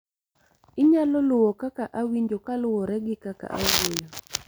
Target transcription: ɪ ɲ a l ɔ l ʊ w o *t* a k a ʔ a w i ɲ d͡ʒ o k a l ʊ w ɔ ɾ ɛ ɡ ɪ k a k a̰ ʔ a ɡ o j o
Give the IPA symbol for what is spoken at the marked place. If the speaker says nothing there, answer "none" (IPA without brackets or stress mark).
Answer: k